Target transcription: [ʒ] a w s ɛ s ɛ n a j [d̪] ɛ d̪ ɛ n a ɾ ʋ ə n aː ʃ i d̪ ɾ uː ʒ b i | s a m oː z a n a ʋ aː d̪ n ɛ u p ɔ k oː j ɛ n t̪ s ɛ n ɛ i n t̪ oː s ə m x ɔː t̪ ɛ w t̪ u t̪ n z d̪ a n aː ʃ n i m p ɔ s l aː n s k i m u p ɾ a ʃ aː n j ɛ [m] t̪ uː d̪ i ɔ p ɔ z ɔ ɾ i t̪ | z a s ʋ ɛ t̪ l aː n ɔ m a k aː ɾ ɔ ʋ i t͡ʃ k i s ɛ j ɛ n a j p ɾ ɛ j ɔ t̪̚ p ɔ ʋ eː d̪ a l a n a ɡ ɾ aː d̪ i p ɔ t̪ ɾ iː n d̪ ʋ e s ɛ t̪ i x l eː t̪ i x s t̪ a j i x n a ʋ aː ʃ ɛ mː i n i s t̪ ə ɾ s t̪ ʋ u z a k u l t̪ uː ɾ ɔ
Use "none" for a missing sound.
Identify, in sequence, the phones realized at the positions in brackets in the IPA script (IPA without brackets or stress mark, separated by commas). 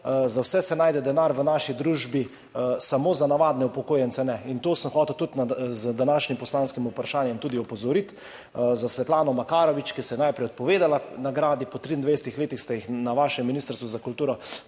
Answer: z, d̪, m